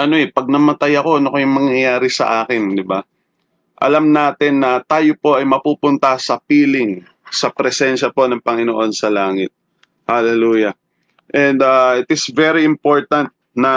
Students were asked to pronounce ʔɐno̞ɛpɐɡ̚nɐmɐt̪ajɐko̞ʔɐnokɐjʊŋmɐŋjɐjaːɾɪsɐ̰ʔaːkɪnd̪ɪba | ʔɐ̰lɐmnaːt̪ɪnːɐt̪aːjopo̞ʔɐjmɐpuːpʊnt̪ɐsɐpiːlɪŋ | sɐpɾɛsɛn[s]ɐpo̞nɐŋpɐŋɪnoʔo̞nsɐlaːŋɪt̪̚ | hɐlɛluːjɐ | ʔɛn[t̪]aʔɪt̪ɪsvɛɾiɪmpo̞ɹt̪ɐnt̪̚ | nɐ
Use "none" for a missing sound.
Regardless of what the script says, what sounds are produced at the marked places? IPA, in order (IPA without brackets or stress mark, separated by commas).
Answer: ʃ, d̪